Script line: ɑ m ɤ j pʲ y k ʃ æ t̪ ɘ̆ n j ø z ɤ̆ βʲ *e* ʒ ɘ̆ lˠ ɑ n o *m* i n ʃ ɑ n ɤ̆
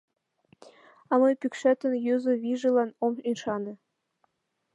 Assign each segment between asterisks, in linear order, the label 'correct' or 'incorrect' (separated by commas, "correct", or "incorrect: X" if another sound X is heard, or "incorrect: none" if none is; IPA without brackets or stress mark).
incorrect: i, correct